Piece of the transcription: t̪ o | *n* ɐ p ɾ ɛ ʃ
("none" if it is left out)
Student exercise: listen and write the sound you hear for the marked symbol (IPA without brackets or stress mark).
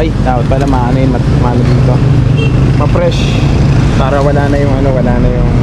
m